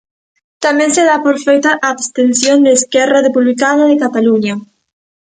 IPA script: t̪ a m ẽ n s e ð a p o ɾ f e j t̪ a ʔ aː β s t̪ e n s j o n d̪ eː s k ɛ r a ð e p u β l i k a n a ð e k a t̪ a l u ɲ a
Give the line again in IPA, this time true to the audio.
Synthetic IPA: t̪ a m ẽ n s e ð a p o ɾ f e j t̪ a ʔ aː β s t̪ e n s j o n d̪ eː s k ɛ r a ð e p u β l i k a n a ð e k a t̪ a l u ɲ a